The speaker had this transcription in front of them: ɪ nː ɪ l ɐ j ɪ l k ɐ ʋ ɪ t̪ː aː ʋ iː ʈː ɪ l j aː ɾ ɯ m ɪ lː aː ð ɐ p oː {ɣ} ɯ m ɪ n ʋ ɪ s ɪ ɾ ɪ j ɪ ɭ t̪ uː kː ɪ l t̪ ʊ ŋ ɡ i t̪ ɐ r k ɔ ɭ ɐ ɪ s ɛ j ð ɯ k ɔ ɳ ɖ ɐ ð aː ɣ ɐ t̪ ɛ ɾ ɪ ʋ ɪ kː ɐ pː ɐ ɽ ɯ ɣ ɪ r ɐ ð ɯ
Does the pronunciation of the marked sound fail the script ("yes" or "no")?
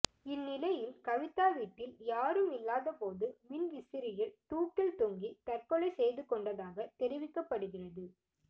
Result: yes